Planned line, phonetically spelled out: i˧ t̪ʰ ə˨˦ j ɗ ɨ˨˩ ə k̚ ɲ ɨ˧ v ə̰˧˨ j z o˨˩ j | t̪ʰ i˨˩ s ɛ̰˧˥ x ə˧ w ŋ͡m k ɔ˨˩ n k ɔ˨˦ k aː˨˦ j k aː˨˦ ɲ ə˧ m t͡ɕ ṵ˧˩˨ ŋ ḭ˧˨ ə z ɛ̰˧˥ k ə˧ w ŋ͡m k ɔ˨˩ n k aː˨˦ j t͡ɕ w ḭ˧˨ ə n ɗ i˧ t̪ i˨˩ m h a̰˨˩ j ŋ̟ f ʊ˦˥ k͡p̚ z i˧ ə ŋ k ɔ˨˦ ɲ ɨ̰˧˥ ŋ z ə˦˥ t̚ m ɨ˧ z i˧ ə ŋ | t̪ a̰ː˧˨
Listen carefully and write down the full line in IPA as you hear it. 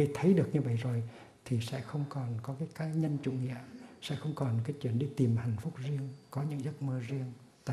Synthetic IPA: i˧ t̪ʰ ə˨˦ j ɗ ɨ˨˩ ə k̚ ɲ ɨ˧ v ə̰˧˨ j z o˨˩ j | t̪ʰ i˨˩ s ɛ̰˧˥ x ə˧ w ŋ͡m k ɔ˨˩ n k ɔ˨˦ k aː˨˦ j k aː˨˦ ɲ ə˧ n t͡ɕ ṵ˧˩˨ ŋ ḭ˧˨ ə s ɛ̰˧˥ x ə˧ w ŋ͡m k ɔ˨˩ n k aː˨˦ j t͡ɕ w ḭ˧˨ ə n ɗ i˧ t̪ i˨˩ m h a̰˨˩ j ŋ̟ f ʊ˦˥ k͡p̚ z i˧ ə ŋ k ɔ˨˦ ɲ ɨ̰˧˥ ŋ z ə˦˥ t̚ m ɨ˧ z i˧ ə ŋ | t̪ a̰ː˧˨